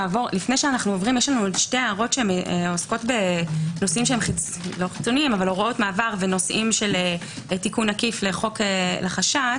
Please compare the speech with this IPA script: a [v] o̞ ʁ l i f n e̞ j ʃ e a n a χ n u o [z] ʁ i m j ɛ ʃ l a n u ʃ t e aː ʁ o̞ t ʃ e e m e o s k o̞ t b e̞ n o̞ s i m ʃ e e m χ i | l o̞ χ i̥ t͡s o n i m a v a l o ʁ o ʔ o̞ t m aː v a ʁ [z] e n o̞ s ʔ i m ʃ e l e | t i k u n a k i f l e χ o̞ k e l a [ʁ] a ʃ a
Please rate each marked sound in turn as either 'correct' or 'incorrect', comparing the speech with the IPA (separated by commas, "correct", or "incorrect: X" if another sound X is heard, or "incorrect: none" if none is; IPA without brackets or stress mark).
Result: correct, incorrect: v, incorrect: v, incorrect: χ